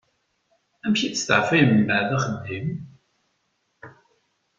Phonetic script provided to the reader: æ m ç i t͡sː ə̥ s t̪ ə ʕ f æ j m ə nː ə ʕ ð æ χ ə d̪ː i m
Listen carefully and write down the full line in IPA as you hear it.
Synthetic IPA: æ m ç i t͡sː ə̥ s t̪ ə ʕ f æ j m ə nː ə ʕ ð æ χ ə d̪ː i m